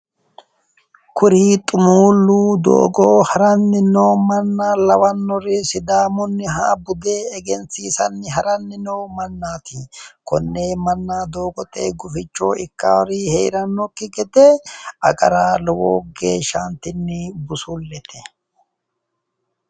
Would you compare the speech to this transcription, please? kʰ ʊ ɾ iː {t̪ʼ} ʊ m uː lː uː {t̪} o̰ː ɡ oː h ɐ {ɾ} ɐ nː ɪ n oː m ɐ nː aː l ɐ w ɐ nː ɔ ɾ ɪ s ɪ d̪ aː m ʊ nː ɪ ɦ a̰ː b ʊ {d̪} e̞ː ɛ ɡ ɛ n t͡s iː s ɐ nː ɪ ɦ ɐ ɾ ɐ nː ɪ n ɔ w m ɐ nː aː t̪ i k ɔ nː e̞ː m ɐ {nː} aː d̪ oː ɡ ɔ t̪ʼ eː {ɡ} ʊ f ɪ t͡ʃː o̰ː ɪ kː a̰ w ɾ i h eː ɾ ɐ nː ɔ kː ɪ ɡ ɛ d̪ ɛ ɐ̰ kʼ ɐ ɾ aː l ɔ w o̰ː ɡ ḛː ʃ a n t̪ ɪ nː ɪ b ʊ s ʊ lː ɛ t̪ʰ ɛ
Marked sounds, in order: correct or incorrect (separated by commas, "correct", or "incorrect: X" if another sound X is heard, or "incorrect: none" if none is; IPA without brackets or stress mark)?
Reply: correct, incorrect: d̪, correct, correct, correct, correct